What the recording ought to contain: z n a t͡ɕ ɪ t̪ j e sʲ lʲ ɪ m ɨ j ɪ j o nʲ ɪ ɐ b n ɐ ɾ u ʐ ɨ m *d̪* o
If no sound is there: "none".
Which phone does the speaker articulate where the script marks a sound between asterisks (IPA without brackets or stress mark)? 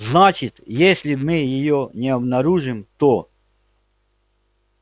t̪